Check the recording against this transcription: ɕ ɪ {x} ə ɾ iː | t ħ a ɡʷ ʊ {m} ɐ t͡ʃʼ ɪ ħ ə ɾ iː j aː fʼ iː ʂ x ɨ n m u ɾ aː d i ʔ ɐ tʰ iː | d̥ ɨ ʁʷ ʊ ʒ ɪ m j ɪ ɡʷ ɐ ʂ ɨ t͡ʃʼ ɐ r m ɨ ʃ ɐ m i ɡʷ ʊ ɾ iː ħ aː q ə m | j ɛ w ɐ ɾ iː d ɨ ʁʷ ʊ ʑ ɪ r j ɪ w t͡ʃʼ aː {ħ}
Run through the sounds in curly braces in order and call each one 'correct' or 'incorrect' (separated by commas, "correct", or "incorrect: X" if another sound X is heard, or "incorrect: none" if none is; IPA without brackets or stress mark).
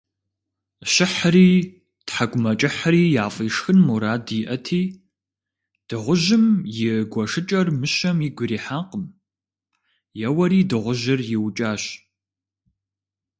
incorrect: ħ, correct, incorrect: ɕ